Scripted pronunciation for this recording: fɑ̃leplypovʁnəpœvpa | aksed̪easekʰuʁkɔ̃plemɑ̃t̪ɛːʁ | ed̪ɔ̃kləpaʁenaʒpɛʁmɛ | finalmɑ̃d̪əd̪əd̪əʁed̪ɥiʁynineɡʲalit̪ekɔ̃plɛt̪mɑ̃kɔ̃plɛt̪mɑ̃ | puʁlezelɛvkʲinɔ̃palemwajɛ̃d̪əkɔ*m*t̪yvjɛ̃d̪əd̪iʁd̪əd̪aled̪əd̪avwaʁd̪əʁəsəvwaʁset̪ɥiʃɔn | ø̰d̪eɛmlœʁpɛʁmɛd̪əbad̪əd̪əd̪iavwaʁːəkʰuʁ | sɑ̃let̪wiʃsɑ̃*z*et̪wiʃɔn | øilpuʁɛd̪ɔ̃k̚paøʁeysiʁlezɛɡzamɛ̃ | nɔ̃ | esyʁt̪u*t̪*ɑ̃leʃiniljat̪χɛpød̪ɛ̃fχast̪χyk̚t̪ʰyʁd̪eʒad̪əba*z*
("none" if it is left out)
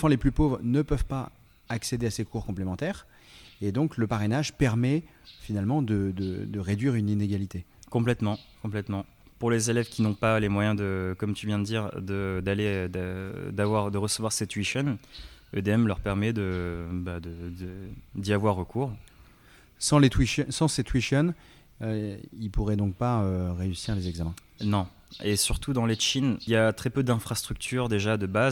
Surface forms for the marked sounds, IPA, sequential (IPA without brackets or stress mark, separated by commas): m, s, d̪, z